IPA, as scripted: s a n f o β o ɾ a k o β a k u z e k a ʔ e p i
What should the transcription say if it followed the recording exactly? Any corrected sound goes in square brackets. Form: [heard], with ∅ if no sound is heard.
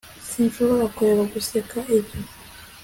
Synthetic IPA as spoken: s [i] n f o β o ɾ a k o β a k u [s] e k a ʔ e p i